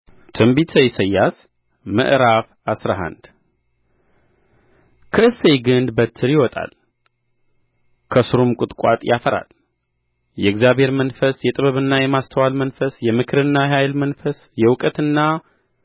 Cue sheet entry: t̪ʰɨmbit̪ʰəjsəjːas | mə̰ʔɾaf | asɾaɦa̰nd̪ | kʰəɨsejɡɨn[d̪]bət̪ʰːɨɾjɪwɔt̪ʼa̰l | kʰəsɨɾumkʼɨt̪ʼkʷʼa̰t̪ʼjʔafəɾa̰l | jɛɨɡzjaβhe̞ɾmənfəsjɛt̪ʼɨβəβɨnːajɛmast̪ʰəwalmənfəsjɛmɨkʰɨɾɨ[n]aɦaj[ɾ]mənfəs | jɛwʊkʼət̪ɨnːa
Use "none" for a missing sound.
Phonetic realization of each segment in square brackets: d̪, nː, l

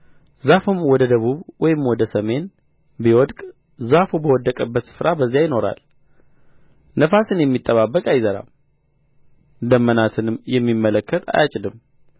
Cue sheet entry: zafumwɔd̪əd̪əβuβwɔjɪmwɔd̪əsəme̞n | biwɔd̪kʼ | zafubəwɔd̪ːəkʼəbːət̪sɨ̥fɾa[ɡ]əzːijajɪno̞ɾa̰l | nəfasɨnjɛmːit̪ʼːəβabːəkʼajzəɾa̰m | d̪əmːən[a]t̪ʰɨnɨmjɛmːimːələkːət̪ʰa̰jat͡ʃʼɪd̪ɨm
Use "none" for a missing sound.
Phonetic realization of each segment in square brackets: b, a

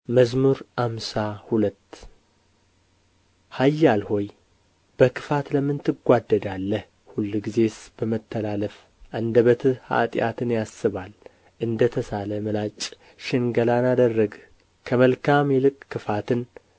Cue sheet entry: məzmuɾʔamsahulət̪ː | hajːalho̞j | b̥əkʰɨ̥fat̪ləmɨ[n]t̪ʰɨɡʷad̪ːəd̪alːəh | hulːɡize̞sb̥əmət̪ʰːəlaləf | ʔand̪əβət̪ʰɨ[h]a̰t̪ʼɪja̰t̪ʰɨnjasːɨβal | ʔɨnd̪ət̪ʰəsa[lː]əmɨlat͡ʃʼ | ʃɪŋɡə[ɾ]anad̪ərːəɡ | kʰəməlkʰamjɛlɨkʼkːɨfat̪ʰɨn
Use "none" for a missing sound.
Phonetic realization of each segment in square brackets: n, h, l, l

